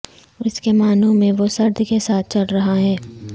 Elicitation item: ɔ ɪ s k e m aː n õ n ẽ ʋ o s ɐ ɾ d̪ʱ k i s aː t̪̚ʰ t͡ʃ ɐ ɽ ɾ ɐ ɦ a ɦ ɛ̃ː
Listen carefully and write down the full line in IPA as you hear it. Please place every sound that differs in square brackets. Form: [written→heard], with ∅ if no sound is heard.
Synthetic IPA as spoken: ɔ ɪ s k e m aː n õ [n→m] ẽ ʋ o s ɐ ɾ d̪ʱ k [i→e] s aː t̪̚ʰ t͡ʃ ɐ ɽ ɾ ɐ ɦ a ɦ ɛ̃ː